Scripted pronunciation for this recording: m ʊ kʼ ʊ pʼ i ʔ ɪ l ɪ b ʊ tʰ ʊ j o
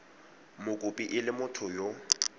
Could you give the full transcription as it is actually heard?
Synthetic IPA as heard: m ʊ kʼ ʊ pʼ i ʔ ɪ l ɪ m ʊ tʰ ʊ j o